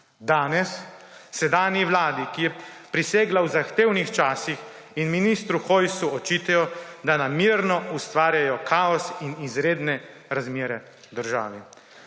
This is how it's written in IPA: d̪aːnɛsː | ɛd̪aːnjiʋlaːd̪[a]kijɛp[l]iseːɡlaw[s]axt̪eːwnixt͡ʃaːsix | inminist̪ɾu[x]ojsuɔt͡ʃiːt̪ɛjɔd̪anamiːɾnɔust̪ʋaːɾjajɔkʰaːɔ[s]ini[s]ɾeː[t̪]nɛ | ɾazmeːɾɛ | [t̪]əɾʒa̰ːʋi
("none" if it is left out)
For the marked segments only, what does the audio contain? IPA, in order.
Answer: i, ɾ, z, x, s, z, d̪, d̪

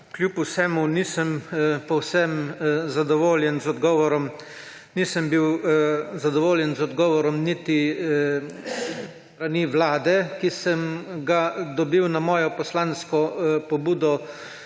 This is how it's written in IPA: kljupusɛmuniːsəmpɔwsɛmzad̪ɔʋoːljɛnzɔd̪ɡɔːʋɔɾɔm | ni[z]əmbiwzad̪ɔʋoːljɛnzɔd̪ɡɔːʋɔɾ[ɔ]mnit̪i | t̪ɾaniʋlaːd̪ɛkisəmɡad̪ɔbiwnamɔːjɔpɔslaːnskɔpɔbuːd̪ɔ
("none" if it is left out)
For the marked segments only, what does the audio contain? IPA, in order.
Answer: s, ɔ

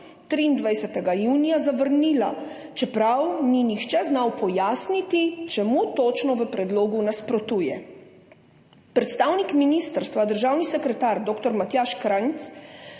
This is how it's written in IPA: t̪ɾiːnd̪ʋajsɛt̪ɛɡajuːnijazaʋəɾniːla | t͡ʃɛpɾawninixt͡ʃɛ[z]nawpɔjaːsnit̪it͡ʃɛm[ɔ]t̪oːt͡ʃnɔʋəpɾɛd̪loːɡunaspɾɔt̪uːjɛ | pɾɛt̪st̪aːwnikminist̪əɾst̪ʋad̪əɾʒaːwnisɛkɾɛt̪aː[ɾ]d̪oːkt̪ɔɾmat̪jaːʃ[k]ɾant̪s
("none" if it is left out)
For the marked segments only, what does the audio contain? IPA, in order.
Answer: z, u, ɾ, k

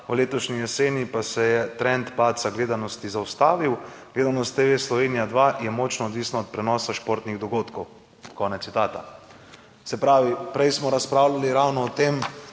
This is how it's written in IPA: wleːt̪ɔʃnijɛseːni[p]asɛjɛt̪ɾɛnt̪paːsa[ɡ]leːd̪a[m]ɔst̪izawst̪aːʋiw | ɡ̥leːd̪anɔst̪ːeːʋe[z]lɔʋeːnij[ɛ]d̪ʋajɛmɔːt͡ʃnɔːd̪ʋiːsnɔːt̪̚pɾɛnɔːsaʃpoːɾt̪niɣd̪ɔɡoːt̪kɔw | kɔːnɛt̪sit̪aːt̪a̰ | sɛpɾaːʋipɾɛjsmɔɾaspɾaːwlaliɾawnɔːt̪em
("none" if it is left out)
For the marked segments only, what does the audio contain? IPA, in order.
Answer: p, ɡ, n, s, a

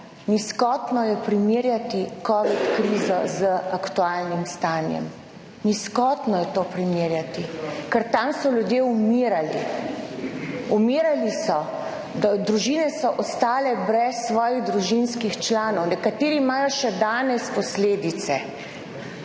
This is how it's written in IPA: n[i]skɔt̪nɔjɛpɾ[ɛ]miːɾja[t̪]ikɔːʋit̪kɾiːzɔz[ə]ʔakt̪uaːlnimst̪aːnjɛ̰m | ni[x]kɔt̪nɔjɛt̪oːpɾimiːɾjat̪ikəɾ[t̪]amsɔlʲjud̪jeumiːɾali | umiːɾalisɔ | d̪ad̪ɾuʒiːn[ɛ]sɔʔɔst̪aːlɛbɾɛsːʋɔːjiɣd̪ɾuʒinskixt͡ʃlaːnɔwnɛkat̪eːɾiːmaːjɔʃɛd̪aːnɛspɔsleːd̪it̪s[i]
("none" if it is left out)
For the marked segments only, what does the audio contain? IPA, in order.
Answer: i, i, t̪, ə, s, t̪, ɛ, ɛ

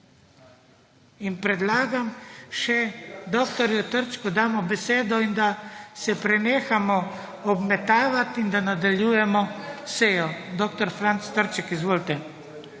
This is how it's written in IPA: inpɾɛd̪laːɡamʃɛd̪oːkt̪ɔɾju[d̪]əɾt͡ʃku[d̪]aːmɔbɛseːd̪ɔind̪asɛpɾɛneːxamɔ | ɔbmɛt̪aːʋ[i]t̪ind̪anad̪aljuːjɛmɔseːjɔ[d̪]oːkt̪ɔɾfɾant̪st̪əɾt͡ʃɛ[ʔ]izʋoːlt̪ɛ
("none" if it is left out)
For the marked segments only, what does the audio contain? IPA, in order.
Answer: t̪, d̪, a, d̪, k

